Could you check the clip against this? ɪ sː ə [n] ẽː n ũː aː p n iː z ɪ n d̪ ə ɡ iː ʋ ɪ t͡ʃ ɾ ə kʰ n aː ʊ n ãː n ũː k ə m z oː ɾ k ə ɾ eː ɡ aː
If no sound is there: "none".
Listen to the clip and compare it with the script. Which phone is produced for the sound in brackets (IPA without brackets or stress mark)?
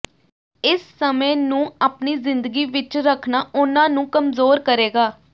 m